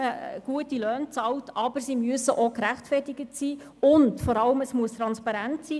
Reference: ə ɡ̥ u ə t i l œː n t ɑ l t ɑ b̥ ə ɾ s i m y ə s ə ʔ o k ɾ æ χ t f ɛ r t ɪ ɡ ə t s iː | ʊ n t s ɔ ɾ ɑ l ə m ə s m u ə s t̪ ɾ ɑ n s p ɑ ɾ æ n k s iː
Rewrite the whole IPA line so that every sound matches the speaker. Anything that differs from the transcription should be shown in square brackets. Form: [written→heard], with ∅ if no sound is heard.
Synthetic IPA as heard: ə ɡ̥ u ə t i l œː n [t→t͡s] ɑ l t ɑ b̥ ə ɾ s i m y ə s ə ʔ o k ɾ æ χ t f ɛ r t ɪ ɡ ə t s iː | ʊ n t [s→f] ɔ ɾ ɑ l ə m ə s m u ə s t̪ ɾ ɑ n s p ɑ ɾ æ n [k→t] s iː